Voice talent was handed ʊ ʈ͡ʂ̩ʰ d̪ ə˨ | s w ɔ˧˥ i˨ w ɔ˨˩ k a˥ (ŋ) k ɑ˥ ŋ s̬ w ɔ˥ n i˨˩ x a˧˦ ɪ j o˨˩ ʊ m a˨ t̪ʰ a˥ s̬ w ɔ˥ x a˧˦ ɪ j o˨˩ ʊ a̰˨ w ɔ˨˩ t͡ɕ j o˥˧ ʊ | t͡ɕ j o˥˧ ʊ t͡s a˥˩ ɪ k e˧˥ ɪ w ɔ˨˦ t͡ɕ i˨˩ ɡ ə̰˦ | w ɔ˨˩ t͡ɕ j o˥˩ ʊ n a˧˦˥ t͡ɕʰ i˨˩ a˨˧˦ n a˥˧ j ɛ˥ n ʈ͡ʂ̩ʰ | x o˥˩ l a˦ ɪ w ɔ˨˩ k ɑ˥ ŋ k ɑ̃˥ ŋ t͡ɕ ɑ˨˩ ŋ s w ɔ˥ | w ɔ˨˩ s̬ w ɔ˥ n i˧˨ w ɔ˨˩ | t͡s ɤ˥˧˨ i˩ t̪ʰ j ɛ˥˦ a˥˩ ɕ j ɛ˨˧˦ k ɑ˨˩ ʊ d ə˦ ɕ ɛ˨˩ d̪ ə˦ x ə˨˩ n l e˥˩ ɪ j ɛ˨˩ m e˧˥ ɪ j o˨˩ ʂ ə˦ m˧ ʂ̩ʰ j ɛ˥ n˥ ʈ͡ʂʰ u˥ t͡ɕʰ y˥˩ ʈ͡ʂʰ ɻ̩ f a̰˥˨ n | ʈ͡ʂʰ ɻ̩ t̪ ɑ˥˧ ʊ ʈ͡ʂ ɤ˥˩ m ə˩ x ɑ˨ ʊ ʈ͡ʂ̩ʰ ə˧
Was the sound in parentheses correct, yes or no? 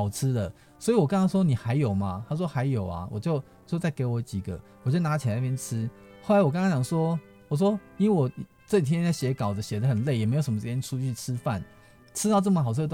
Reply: yes